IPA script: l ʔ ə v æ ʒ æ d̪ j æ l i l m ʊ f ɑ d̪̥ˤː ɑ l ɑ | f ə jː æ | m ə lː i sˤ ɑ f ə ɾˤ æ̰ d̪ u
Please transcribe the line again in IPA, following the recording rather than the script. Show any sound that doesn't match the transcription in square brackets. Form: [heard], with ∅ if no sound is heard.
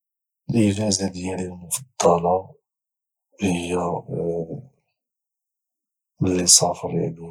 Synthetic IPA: l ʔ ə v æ [z] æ d̪ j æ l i l m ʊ f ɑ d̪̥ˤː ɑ l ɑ | [h] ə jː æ | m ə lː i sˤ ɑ f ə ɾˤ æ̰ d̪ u